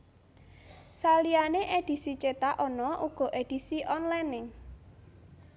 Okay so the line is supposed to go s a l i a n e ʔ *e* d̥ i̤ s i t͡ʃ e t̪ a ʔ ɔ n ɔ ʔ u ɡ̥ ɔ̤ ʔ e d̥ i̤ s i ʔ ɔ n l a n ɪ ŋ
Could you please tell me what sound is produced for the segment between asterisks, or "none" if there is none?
e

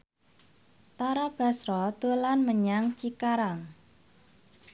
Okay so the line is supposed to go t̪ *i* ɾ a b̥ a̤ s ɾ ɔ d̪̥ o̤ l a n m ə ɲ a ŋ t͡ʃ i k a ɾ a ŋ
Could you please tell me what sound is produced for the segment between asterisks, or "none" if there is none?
a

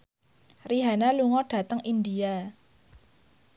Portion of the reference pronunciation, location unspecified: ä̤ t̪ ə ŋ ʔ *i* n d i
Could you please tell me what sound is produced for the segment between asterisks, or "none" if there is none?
i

